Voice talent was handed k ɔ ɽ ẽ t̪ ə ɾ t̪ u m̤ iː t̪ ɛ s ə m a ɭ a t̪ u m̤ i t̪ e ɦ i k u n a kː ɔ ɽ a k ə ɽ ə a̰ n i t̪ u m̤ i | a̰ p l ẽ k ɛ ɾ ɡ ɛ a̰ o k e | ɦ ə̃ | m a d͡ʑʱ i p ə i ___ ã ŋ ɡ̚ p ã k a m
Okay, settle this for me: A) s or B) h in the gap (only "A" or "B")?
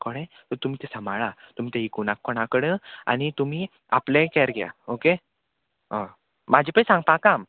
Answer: A